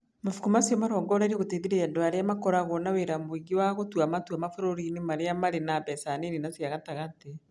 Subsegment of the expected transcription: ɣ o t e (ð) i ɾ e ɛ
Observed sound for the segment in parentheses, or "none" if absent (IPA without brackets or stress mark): ð